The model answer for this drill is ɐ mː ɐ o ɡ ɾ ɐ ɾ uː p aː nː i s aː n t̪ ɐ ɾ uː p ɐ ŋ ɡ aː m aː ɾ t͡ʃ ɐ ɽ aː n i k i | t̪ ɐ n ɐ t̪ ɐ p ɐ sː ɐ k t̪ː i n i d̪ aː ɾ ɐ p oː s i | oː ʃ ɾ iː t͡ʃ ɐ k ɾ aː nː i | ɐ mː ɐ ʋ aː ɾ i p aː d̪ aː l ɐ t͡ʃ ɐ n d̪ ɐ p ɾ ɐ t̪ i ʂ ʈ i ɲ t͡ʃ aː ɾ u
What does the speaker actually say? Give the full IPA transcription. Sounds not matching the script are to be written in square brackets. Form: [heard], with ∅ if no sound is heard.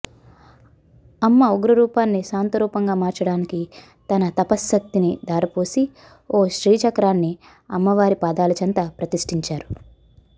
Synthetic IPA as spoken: ɐ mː ɐ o ɡ ɾ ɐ ɾ uː p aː nː i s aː n t̪ ɐ ɾ uː p ɐ ŋ ɡ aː m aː ɾ t͡ʃ ɐ ɽ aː n i k i | t̪ ɐ n ɐ t̪ ɐ p ɐ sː ɐ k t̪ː i n i d̪ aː ɾ ɐ p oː s i | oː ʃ ɾ iː t͡ʃ ɐ k ɾ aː nː i | ɐ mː ɐ ʋ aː ɾ i p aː d̪ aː l ɐ t͡ʃ ɐ n [t̪] ɐ p ɾ ɐ t̪ i ʂ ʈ i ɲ t͡ʃ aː ɾ u